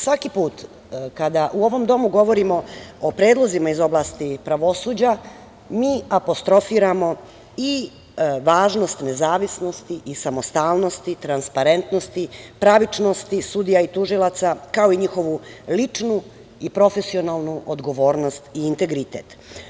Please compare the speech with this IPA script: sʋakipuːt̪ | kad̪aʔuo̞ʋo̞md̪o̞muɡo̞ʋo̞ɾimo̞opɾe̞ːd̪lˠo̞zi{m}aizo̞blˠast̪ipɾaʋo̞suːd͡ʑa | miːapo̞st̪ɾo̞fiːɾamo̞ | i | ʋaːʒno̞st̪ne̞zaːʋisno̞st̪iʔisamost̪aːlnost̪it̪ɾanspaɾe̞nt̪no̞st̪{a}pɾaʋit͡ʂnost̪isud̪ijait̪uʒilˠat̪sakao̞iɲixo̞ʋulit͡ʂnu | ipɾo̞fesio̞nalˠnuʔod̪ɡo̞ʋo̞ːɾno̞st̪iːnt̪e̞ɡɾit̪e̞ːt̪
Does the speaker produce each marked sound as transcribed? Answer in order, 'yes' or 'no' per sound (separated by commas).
yes, no